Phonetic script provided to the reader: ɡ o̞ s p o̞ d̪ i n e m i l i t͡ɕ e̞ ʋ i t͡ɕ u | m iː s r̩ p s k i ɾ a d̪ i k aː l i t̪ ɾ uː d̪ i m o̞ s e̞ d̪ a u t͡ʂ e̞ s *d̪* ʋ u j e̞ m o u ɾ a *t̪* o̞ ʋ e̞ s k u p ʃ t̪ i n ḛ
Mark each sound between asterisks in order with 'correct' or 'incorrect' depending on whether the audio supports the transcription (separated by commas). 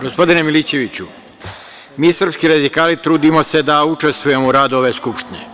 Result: incorrect, incorrect